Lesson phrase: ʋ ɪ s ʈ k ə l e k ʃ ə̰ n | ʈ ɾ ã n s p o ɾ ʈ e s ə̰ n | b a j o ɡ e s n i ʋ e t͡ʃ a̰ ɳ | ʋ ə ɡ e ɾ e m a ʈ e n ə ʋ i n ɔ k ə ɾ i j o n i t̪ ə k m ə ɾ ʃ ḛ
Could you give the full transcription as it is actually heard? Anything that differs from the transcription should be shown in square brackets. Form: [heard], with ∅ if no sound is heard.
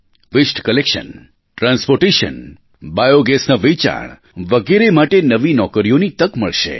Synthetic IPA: ʋ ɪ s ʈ k ə l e k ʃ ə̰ n | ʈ ɾ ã n s p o ɾ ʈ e [ʃ] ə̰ n | b a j o ɡ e s n [a] ʋ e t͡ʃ a̰ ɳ | ʋ ə ɡ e ɾ e m a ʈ e n ə ʋ i n ɔ k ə ɾ i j o n i t̪ ə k m ə [ɭ] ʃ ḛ